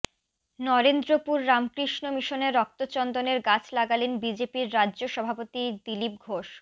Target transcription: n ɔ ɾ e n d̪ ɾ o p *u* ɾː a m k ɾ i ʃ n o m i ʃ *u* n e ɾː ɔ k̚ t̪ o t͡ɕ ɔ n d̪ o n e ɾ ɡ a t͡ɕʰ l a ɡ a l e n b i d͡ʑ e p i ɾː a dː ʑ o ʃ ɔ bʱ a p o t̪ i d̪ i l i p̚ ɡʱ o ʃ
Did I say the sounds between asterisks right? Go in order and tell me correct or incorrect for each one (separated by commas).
correct, incorrect